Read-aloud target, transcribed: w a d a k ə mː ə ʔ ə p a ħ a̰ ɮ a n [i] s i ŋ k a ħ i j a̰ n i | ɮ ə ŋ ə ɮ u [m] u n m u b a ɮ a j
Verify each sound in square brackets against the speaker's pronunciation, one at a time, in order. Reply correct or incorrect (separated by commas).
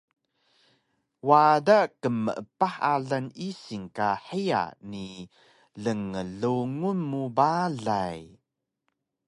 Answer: correct, incorrect